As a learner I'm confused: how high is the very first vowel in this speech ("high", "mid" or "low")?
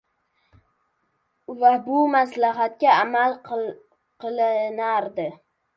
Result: low